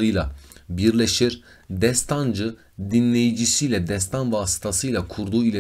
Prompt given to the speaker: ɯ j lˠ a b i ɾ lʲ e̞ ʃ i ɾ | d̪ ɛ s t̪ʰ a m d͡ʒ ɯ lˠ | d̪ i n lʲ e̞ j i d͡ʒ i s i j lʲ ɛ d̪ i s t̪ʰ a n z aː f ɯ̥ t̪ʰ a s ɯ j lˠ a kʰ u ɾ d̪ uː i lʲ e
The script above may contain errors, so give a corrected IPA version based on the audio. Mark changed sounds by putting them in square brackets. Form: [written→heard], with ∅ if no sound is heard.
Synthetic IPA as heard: ɯ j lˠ a b i ɾ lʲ e̞ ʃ i ɾ | d̪ ɛ s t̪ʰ a [m→n] d͡ʒ ɯ [lˠ→∅] | d̪ i n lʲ e̞ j i d͡ʒ i s i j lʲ ɛ d̪ [i→ɛ] s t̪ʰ a n [z→v] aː [f→s] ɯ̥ t̪ʰ a s ɯ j lˠ a kʰ u ɾ d̪ uː i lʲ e